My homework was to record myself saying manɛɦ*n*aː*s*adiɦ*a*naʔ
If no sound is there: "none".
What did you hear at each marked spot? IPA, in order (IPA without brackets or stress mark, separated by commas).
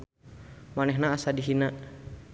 n, s, i